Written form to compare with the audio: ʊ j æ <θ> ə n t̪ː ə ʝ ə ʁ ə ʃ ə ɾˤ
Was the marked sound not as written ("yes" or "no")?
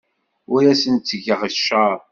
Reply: yes